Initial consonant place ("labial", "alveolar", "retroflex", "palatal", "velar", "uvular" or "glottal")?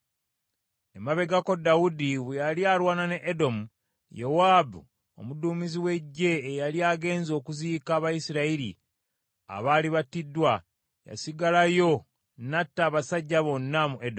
labial